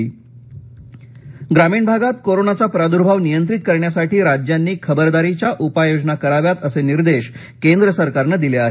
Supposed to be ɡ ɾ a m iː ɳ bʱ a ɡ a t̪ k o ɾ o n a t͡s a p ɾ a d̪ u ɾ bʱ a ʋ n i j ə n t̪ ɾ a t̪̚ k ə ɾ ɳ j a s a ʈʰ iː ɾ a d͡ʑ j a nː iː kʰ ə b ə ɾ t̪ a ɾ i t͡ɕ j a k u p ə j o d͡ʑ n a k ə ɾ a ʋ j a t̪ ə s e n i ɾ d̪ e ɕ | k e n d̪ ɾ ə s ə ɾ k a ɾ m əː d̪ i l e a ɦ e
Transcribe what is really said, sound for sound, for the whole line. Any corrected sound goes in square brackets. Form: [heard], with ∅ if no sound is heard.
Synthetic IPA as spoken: ɡ ɾ a m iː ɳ bʱ a ɡ a t̪ k o ɾ o n a t͡s a p ɾ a d̪ u ɾ bʱ a ʋ n i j ə n t̪ ɾ [i] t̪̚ k ə ɾ ɳ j a s a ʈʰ iː ɾ a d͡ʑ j a nː iː kʰ ə b ə ɾ [d̪] a ɾ i t͡ɕ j a [ʔ] u p [a] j o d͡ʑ n a k ə ɾ a ʋ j a t̪ ə s e n i ɾ d̪ e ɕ | k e n d̪ ɾ ə s ə ɾ k a ɾ [n] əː d̪ i l e a ɦ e